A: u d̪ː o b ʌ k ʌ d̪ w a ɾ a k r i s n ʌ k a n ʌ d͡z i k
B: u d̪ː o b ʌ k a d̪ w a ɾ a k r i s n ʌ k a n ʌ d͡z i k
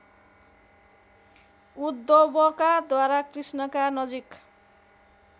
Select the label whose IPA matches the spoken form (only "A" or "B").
B